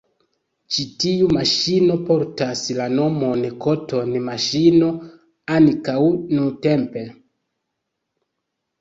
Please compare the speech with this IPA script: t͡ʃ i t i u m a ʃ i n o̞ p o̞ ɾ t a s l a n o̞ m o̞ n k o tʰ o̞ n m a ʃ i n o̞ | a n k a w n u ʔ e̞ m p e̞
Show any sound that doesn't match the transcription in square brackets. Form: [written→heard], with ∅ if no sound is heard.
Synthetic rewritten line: t͡ʃ i t i u m a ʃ i n o̞ p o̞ ɾ t a s l a n o̞ m o̞ n k o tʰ o̞ n m a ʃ i n o̞ | a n k a w n u [ʔ→t] e̞ m p e̞